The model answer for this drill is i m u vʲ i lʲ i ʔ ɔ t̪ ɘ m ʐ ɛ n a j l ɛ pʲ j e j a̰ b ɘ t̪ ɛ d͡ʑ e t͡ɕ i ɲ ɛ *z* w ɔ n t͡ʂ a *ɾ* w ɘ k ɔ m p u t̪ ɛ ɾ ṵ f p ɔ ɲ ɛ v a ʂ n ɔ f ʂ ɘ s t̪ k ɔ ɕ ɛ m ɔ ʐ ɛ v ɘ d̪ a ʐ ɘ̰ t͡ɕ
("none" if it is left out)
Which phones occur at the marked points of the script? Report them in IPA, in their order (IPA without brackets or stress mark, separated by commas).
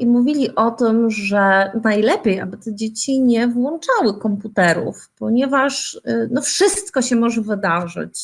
v, none